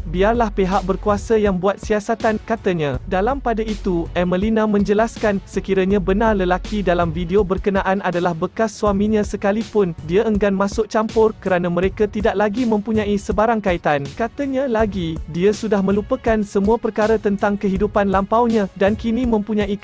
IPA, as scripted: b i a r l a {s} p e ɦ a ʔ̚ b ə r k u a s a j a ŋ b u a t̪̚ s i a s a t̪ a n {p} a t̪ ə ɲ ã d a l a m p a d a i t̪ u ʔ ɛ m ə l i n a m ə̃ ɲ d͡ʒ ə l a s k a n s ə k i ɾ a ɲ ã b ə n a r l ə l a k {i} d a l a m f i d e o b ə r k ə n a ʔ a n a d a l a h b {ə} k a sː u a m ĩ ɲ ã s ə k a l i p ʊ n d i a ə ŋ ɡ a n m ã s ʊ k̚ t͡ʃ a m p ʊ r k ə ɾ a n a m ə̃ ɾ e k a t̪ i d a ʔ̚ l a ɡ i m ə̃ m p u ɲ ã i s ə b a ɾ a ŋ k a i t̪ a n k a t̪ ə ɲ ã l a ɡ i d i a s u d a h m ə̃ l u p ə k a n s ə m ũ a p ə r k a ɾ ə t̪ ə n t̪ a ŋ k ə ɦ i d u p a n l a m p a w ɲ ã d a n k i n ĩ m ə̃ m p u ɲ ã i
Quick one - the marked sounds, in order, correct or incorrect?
incorrect, incorrect, correct, correct

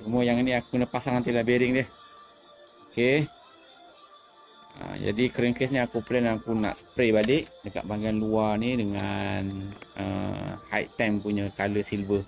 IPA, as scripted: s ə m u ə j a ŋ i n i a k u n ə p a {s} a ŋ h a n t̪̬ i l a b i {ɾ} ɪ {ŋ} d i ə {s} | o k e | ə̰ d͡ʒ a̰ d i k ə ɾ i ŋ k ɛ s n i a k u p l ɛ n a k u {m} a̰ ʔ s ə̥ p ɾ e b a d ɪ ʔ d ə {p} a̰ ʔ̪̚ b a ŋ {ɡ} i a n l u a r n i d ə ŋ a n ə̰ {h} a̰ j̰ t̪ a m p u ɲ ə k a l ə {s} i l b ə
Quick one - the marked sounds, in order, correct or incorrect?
correct, correct, correct, incorrect, incorrect, incorrect, correct, correct, correct

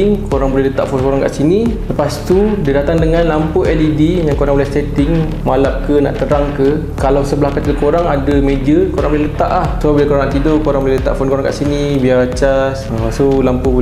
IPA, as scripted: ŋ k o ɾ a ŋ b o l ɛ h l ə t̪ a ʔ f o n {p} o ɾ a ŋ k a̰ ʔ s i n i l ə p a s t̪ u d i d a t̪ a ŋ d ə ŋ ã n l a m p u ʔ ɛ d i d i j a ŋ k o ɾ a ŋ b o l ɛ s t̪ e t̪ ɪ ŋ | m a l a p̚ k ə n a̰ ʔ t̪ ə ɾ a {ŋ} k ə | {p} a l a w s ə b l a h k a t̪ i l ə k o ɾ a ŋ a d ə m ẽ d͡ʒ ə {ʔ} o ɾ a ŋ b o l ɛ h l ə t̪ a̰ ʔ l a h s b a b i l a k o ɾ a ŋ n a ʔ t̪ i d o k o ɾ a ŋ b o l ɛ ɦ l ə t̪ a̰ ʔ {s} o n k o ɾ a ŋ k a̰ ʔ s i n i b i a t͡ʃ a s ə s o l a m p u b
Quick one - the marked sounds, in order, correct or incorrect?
incorrect, correct, incorrect, incorrect, incorrect

